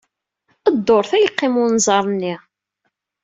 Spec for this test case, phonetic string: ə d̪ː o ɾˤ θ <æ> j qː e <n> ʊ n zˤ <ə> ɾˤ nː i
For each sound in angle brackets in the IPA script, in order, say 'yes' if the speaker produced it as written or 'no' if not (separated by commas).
yes, no, no